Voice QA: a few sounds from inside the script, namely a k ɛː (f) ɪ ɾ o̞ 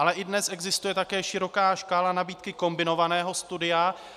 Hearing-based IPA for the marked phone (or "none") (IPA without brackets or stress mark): ʃ